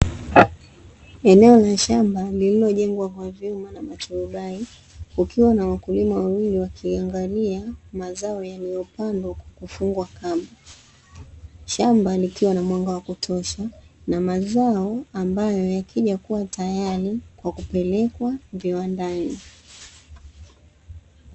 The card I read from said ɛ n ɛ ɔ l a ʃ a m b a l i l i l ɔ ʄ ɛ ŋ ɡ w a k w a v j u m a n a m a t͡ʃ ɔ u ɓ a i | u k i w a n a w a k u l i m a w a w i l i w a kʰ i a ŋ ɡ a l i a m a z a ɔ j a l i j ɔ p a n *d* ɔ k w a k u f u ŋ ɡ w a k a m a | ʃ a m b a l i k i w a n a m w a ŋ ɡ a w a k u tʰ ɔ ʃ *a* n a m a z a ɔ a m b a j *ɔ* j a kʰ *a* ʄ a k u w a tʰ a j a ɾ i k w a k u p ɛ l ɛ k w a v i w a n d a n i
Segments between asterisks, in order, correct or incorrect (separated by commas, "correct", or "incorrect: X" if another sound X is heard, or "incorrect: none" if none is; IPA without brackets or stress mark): correct, correct, correct, incorrect: i